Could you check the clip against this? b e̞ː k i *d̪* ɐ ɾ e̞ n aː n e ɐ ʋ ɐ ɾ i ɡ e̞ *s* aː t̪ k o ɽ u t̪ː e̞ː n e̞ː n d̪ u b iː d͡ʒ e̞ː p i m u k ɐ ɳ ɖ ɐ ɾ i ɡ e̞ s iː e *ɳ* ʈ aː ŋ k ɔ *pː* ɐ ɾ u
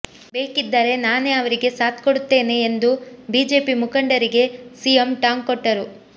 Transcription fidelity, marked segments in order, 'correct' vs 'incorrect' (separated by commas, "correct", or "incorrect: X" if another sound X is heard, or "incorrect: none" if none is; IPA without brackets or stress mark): incorrect: d̪ː, correct, incorrect: m, incorrect: ʈː